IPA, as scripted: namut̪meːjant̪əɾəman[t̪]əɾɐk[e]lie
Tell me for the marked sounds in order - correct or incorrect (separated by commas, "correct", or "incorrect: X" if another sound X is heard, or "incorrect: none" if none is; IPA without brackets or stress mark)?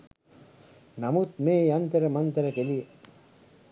correct, correct